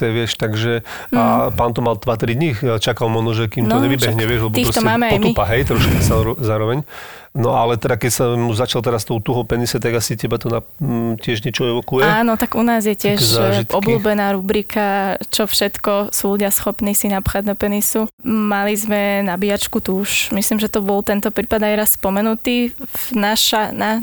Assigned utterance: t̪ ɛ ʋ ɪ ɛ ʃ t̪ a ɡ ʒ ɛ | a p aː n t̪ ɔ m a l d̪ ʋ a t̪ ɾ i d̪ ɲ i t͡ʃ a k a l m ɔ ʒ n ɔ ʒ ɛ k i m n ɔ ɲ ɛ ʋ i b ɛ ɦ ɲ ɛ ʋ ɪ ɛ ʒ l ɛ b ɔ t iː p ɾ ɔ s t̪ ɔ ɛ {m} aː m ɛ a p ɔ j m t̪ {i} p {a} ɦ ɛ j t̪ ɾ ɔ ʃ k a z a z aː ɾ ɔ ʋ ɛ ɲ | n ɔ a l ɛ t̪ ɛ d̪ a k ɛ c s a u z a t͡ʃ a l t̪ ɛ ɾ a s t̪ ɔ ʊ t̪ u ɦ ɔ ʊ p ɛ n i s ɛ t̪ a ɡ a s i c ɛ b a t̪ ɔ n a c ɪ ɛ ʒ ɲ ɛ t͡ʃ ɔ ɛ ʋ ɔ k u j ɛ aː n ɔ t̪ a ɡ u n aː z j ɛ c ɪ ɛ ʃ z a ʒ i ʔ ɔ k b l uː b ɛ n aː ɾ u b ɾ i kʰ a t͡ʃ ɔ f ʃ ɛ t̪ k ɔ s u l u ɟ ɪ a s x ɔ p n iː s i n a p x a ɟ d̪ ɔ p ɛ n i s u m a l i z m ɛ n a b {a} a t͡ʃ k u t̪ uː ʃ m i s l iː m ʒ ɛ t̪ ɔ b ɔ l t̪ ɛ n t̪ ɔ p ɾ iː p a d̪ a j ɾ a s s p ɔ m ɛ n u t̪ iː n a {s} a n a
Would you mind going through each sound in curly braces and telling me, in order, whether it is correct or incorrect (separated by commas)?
correct, correct, correct, incorrect, incorrect